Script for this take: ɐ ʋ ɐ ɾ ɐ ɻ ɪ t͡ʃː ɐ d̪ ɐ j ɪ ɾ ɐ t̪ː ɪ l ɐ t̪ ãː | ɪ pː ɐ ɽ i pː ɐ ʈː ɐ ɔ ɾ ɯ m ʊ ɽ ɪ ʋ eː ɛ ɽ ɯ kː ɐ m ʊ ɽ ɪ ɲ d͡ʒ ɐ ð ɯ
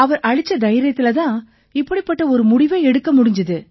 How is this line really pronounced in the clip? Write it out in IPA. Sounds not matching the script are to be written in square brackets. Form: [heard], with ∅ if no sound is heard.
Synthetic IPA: ɐ ʋ ɐ ɾ ɐ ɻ ɪ t͡ʃː ɐ d̪ ɐ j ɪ ɾ ɐ t̪ː ɪ l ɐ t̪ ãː | ɪ pː ɐ ɽ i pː ɐ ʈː ɐ ɔ ɾ ɯ m ʊ ɽ ɪ ʋ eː ɛ ɽ ɯ kː ɐ m ʊ ɽ ɪ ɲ d͡ʒ ɐ ð ɯ